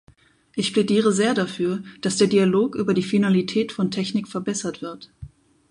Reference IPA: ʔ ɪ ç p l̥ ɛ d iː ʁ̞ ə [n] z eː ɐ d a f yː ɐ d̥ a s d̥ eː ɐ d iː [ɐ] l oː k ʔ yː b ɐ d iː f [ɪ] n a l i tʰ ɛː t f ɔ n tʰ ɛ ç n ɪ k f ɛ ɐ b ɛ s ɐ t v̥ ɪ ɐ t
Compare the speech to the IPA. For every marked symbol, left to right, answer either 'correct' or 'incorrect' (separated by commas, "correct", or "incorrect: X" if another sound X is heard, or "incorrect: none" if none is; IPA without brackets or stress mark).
incorrect: none, incorrect: a, incorrect: i